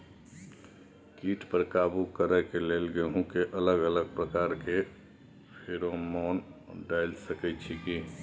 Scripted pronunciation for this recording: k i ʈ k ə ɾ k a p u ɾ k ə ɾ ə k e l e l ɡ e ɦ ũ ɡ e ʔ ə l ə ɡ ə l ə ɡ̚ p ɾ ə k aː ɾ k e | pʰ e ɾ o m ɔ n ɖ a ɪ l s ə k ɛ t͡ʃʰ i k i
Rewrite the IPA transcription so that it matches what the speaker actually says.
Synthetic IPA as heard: k i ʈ p ə ɾ k a b u k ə ɾ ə k e l e l ɡ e ɦ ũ k e ʔ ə l ə ɡ ə l ə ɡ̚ p ɾ ə k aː ɾ k e | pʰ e ɾ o m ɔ n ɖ a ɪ l s ə k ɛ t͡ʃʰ i k i